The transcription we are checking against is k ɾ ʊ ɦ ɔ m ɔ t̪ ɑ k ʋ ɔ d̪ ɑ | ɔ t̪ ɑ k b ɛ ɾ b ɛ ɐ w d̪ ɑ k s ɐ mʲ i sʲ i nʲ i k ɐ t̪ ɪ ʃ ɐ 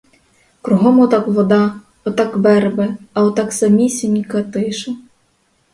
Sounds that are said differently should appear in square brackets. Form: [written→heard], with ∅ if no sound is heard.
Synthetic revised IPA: k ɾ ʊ ɦ ɔ m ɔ t̪ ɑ k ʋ ɔ d̪ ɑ | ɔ t̪ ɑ k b ɛ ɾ b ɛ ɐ w [d̪→t̪] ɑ k s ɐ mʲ i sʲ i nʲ i k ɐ t̪ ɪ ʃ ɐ